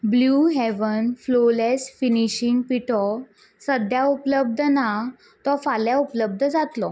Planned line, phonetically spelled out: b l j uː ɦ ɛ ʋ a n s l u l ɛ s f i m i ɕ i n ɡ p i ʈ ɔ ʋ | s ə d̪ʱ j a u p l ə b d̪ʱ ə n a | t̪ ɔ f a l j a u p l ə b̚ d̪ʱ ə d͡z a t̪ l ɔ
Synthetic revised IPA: b l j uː ɦ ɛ ʋ ə n f l o l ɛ s f i n i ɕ i ŋ ɡ p i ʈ ɔ | s ə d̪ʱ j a u p l ə b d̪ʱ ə n a | t̪ ɔ f a l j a u p l ə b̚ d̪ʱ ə d͡z a t̪ l ɔ

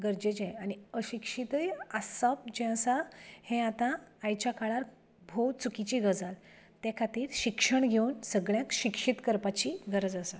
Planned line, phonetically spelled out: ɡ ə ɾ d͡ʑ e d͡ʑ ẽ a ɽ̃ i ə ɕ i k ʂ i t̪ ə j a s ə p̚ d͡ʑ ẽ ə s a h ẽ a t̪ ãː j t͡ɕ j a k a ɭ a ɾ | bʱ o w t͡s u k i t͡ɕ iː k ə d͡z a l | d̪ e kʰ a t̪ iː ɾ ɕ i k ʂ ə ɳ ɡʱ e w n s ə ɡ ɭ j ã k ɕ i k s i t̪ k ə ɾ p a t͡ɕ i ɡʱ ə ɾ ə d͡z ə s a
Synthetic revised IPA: ɡ ə ɾ d͡ʑ e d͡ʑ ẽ a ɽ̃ i ə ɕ i k ʂ i t̪ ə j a s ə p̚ d͡ʑ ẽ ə s a h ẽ a t̪ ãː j t͡ɕ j a k a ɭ a ɾ | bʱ o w t͡s u k i t͡ɕ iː ɡ ə d͡z a l | t̪ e kʰ a t̪ iː ɾ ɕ i k ʂ ə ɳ ɡʱ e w n s ə ɡ ɭ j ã k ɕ i k ʂ i t̪ k ə ɾ p a t͡ɕ i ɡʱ ə ɾ ə d͡z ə s a

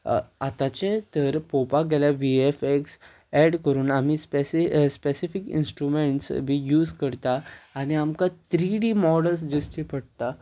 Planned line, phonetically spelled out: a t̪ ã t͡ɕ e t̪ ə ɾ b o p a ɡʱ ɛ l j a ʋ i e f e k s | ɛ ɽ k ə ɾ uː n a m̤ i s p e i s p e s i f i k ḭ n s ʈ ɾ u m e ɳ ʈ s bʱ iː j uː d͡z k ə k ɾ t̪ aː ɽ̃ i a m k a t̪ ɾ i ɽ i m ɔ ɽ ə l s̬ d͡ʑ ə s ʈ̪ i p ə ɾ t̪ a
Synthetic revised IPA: a t̪ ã t͡ɕ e t̪ ə ɾ p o p a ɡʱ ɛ l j a ʋ i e f e k s | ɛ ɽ k ə ɾ uː n a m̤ i s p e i s p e s i f i k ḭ n s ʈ ɾ u m e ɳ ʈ s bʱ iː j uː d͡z k ə ɾ t̪ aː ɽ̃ i a m k a t̪ ɾ i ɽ i m ɔ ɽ ə l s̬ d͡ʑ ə s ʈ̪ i p ə ɽ t̪ a

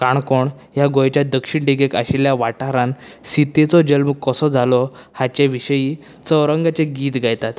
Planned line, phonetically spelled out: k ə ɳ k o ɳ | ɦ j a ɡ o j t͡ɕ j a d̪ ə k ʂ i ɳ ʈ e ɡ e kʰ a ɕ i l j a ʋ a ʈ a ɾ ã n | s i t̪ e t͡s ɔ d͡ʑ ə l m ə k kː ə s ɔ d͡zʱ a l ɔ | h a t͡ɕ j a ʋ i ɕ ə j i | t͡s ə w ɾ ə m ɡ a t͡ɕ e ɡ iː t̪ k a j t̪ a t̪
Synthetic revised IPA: k a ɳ k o ɳ | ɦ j a ɡ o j t͡ɕ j a d̪ ə k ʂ i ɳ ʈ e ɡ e k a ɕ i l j a ʋ a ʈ a ɾ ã n | s i t̪ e t͡s ɔ d͡ʑ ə l m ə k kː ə s ɔ d͡zʱ a l ɔ | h a t͡ɕ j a ʋ i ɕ ə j i | t͡s ə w ɾ ə ŋ ɡ a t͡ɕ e ɡ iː t̪ ɡ a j t̪ a t̪

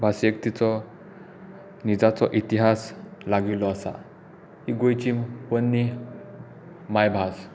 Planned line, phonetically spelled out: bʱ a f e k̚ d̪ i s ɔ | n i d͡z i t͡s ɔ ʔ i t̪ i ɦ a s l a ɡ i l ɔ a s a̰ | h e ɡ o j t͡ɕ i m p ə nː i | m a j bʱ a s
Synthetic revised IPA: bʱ a s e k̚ t̪ i t͡s ɔ | n i d͡z a t͡s ɔ ʔ i t̪ i ɦ a s l a ɡ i l ɔ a s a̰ | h i ɡ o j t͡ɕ i m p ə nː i | m a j bʱ a s

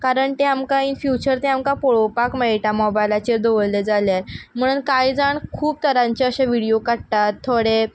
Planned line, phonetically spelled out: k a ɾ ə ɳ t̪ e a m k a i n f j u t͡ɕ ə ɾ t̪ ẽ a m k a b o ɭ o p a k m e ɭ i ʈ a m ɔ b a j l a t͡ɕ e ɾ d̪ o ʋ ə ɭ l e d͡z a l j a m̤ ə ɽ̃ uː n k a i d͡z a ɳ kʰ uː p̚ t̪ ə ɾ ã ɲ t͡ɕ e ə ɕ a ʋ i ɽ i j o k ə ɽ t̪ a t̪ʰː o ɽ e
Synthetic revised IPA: k a ɾ ə ɳ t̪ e a m k a i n f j u t͡ɕ ə ɾ t̪ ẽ a m k a p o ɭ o p a k m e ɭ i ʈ a m ɔ b a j l a t͡ɕ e ɾ d̪ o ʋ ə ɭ l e d͡z a l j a m̤ ə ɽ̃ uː n k a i d͡z a ɳ kʰ uː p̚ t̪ ə ɾ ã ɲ t͡ɕ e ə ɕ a ʋ i ɽ i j o k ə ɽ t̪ a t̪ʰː o ɽ e

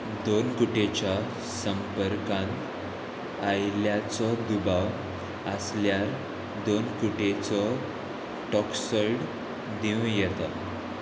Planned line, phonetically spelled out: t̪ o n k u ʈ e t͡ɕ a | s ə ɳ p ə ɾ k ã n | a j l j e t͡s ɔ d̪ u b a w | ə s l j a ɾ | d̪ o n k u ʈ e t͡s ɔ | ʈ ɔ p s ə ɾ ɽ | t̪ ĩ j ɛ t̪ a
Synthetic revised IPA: d̪ o n k u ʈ e t͡ɕ a | s ə m p ə ɾ k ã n | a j l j a t͡s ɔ d̪ u b a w | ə s l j a ɾ | d̪ o n k u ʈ e t͡s ɔ | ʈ ɔ k s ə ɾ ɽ | d̪ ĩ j ɛ t̪ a

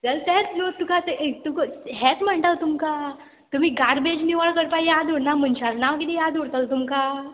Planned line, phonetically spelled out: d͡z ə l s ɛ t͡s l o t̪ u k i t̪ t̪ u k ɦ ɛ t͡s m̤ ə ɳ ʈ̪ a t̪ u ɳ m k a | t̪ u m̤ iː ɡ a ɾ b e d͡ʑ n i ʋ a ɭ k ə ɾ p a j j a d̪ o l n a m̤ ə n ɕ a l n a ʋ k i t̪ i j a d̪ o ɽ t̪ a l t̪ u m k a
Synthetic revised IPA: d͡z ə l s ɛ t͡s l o t̪ u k a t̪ t̪ u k ɦ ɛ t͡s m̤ ə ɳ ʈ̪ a t̪ u m k a | t̪ u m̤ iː ɡ a ɾ b e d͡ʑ n i ʋ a ɭ k ə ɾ p a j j a d̪ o ɽ n a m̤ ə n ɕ a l n a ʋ k i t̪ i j a d̪ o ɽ t̪ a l t̪ u m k a

